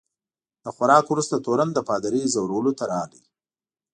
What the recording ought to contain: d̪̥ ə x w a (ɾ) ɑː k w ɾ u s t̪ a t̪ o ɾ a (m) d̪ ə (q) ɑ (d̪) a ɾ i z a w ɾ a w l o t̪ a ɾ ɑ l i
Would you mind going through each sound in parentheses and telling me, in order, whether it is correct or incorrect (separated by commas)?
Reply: correct, incorrect, incorrect, correct